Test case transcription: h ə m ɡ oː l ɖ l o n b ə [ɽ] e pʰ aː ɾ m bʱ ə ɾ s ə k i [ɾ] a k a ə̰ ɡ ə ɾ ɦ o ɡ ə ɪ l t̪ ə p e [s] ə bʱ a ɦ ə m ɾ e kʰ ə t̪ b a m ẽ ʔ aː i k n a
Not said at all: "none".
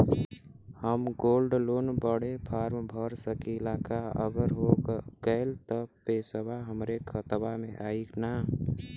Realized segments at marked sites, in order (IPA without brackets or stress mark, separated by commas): ɽ, l, s